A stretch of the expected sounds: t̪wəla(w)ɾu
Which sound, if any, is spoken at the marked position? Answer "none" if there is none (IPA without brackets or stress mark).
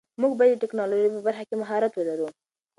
none